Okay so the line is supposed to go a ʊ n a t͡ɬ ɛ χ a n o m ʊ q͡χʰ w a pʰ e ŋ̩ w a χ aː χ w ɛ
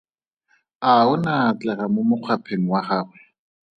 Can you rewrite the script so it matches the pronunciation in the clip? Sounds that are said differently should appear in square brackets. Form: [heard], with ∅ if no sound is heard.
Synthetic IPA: a ʊ n a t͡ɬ ɛ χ a [m] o m ʊ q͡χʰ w a pʰ e ŋ̩ w a χ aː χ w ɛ